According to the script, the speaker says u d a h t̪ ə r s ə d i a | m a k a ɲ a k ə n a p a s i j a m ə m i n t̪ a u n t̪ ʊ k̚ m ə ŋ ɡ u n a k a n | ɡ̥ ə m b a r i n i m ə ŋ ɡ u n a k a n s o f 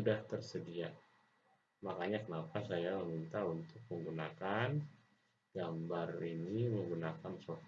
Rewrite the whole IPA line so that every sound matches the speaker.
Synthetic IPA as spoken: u d a h t̪ ə r s ə d i a | m a k a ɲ a k ə n a p a s a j a m ə m i n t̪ a u n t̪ ʊ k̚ m ə ŋ ɡ u n a k a n | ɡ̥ a m b a r i n i m ə ŋ ɡ u n a k a n s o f